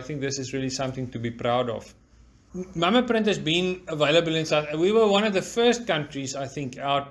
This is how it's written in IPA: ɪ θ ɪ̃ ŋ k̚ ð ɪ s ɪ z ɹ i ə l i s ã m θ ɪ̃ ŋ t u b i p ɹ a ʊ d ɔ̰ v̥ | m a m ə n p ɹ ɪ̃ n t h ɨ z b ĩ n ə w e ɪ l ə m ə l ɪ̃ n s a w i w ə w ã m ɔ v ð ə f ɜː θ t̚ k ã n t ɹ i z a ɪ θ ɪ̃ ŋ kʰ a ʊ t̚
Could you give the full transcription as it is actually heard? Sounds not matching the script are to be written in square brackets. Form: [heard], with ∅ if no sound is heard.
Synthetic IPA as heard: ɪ θ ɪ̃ ŋ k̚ ð ɪ s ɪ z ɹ i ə l i s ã m θ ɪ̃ ŋ t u b i p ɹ a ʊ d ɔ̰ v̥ | m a m ə [∅] p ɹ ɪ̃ n t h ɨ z b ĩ n ə [v] e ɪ l ə [b] ə l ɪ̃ n s a w i w ə w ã [n] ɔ v ð ə f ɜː [s] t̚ k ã n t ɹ i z a ɪ θ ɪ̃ ŋ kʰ a ʊ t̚